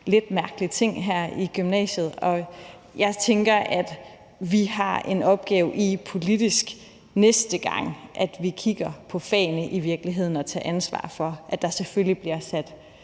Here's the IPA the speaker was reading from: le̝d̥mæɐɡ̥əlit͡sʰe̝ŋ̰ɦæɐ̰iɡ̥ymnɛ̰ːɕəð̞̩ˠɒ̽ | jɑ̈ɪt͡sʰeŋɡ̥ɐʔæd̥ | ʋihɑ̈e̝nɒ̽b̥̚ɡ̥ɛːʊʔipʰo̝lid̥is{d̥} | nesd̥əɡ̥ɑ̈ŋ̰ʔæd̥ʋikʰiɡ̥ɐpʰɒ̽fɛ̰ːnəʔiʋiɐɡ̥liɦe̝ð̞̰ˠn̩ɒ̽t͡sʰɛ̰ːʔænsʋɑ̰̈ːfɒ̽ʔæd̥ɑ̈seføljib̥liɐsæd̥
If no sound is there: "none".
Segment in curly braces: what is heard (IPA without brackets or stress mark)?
ɡ̥